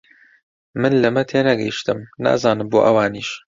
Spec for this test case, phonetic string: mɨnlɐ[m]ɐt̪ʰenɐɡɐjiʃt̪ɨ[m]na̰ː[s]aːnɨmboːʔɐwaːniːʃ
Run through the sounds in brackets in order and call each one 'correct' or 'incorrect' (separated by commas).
correct, correct, incorrect